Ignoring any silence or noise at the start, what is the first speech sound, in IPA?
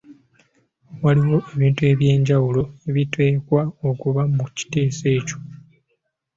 w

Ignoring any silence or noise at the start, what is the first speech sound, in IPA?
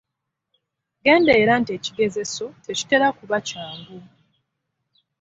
ɡ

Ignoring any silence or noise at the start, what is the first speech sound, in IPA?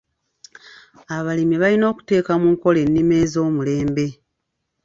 a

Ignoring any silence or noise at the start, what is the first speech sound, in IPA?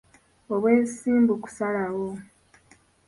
o̞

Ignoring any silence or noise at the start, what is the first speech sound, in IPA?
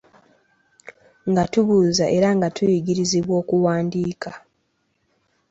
ŋ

